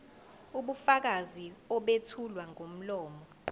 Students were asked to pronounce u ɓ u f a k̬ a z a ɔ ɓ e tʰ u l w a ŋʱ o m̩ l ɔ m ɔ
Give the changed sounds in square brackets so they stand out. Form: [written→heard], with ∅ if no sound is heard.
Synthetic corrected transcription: u ɓ u f a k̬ a z [a→i] ɔ ɓ e tʰ u l w a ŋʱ o m̩ l [ɔ→ɔː] m ɔ